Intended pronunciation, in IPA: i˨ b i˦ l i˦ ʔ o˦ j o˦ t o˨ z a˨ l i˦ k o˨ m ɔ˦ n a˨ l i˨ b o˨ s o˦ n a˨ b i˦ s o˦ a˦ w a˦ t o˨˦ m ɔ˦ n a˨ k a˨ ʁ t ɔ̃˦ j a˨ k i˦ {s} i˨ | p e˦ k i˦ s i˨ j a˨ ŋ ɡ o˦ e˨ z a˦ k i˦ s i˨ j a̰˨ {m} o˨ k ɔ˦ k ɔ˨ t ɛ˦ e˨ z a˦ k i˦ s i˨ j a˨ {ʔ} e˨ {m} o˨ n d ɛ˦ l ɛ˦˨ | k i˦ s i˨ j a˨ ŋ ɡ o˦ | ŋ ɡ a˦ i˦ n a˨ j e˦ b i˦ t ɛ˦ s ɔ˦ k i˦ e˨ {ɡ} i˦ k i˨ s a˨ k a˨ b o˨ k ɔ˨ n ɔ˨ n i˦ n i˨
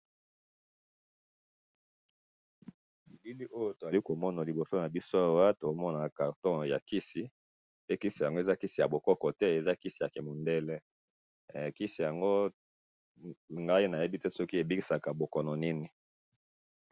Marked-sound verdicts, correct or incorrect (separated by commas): correct, incorrect, incorrect, correct, incorrect